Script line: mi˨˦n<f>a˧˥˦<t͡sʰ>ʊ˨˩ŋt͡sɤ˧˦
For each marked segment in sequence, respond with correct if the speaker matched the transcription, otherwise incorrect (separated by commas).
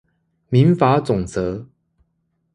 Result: correct, incorrect